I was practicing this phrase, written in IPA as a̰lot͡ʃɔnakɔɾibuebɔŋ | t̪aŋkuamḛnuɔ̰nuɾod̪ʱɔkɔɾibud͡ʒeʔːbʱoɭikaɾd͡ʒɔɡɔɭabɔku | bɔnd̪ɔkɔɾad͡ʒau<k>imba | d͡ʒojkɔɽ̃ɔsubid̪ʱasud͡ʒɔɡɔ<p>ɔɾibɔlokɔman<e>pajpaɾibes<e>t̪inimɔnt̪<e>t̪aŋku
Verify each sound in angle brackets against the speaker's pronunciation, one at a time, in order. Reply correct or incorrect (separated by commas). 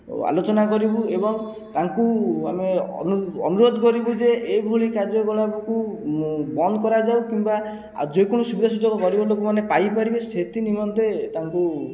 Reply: correct, incorrect, correct, correct, correct